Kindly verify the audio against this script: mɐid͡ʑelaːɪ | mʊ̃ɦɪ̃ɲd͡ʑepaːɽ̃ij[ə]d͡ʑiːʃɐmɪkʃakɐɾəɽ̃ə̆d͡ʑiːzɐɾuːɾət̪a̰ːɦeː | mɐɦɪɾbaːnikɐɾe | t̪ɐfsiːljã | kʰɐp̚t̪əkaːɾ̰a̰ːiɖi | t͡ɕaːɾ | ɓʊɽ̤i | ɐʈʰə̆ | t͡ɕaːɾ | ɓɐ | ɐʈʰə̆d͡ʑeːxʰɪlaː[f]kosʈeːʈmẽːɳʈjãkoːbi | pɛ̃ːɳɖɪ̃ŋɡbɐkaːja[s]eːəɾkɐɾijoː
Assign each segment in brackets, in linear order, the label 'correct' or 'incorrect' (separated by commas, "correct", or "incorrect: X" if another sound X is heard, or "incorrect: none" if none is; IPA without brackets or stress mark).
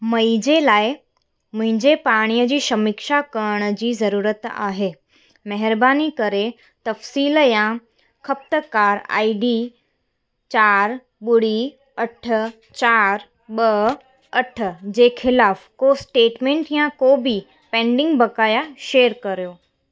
correct, correct, incorrect: ʃ